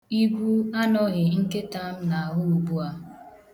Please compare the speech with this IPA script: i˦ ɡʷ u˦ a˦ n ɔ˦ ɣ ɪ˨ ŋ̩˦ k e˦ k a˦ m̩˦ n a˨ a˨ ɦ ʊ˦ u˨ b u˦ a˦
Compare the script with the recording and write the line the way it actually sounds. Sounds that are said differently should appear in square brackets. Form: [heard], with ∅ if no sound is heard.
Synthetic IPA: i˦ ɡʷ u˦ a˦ n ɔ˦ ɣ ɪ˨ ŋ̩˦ k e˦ [t] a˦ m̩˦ n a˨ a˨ ɦ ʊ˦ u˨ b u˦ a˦